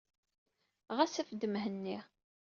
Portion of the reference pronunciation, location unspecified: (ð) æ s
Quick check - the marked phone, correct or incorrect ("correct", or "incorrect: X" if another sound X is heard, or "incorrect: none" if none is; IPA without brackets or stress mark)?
incorrect: ʁ